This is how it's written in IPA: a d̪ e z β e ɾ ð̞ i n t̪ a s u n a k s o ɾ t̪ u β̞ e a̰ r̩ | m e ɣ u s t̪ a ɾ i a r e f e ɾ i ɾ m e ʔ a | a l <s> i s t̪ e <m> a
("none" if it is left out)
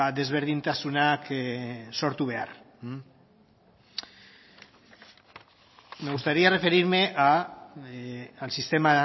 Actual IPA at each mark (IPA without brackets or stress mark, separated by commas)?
s, m